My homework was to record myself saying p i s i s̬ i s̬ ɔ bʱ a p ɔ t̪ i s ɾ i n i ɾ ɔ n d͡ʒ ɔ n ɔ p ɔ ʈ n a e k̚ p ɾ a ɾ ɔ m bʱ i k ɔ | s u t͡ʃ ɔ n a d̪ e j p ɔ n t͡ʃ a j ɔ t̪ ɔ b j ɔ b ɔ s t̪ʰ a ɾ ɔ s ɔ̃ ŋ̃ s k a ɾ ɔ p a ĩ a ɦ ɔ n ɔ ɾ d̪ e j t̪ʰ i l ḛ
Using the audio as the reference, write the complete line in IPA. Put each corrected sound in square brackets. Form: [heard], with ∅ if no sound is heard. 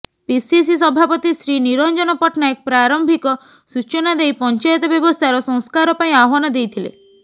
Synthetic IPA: p i s i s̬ i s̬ ɔ bʱ a p ɔ t̪ i s ɾ i n i ɾ ɔ n d͡ʒ ɔ n ɔ p ɔ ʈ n a e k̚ p ɾ a ɾ ɔ m bʱ i k ɔ | s u t͡ʃ ɔ n a d̪ e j p ɔ n t͡ʃ a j ɔ t̪ ɔ b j ɔ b ɔ s t̪ʰ a ɾ ɔ s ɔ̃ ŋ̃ s k a ɾ ɔ p a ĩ a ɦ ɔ n ɔ [∅] d̪ e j t̪ʰ i l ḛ